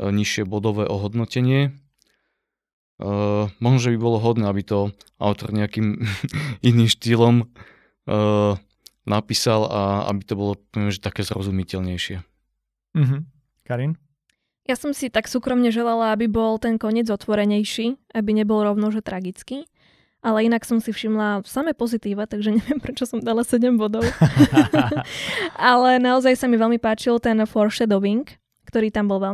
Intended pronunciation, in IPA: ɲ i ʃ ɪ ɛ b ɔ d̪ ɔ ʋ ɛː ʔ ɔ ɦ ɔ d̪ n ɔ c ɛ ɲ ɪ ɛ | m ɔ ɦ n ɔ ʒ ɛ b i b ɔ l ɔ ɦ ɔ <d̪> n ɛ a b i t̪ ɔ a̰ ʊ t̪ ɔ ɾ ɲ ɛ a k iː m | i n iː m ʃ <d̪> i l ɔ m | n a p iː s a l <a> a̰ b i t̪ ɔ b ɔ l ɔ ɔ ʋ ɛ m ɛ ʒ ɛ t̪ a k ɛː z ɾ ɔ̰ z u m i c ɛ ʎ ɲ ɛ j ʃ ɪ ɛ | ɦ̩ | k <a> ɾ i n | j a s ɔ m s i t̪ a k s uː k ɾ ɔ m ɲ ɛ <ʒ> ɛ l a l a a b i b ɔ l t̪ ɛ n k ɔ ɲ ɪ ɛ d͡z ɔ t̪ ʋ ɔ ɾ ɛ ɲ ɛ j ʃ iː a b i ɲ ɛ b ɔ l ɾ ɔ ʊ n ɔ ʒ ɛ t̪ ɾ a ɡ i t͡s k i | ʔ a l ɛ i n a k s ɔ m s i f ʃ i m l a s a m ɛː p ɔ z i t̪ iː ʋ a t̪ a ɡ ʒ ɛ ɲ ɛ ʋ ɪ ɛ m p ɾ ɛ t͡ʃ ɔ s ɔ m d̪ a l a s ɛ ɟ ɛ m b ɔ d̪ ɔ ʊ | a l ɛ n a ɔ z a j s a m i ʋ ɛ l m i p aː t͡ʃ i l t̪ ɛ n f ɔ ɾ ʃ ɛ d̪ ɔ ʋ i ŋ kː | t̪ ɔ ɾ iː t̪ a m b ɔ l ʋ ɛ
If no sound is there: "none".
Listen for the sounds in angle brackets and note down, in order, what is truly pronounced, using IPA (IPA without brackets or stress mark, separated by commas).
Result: d̪, t̪, a, a, ʒ